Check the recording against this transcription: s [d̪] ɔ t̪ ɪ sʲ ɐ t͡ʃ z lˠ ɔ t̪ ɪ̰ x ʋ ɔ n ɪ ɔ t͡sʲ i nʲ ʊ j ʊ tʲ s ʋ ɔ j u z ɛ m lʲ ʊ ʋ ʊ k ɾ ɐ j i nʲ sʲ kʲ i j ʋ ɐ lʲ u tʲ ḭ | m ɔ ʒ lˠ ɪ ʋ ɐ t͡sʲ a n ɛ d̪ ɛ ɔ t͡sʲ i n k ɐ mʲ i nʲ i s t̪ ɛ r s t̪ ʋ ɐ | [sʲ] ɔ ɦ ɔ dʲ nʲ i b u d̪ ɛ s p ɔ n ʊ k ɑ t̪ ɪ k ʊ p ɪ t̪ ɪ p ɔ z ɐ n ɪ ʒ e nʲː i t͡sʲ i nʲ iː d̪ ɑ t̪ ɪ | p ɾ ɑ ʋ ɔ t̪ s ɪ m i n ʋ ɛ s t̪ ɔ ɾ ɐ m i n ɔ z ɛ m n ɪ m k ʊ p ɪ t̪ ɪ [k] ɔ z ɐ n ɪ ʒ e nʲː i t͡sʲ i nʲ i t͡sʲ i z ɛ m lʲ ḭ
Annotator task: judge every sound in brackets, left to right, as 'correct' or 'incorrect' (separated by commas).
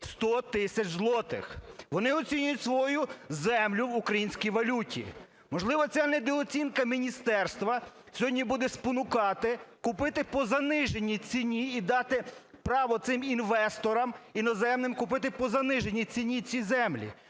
incorrect, correct, incorrect